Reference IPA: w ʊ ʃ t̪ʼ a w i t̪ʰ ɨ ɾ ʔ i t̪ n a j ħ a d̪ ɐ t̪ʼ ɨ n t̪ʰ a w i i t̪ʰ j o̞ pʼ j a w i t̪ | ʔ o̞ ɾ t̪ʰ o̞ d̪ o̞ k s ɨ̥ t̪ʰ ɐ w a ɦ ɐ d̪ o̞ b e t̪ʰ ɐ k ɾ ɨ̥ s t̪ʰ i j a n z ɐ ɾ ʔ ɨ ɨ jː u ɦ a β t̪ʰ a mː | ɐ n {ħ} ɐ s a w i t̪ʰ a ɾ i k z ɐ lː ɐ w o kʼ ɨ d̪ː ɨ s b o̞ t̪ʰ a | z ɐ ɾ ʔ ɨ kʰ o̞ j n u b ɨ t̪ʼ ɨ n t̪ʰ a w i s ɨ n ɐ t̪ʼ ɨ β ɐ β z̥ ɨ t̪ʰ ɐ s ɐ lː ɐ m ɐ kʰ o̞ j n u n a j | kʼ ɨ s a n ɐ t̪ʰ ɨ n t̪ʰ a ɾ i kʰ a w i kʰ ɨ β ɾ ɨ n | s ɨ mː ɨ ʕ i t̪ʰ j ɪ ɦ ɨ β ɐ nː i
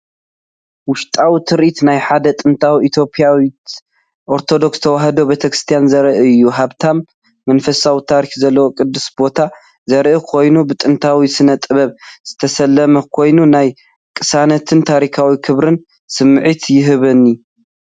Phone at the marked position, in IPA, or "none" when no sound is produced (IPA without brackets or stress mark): f